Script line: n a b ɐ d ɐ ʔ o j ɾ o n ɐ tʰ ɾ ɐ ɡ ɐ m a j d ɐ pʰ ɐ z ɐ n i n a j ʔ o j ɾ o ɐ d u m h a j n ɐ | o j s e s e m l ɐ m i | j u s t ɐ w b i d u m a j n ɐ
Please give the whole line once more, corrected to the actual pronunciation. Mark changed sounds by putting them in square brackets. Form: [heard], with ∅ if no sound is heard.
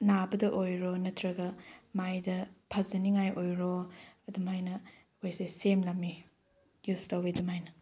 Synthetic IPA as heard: n a b ɐ d ɐ ʔ o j ɾ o n ɐ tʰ ɾ ɐ ɡ ɐ m a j d ɐ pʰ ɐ z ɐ n i [ŋ] a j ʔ o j ɾ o ɐ d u m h a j n ɐ | o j s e s e m l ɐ m i | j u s t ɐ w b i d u m a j n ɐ